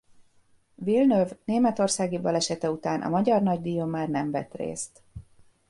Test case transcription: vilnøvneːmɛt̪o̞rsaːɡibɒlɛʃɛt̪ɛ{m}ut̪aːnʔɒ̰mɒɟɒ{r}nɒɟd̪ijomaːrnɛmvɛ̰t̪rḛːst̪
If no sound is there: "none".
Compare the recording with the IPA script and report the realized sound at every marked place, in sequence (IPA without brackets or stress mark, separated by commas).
none, r